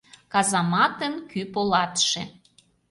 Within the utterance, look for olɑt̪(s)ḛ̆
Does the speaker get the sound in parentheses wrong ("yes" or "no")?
yes